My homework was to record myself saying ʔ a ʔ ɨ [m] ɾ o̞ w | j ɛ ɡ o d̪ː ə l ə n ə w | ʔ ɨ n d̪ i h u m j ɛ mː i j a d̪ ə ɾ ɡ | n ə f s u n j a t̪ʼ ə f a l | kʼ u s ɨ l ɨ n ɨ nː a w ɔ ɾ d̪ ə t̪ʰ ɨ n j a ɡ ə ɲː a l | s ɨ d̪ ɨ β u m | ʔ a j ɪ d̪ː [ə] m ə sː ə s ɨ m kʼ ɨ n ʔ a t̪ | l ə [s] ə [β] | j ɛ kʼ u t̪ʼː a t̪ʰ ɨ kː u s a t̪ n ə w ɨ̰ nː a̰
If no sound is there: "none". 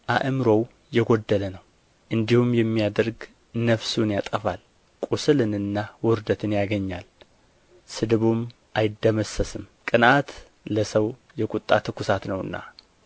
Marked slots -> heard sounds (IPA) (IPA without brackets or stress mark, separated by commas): m, ə, s, w